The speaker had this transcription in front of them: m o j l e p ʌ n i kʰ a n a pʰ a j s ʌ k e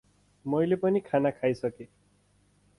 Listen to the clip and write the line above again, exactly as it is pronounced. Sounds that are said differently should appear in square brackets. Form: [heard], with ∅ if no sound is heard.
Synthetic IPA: m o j l e p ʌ n i kʰ a n a [kʰ] a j s ʌ k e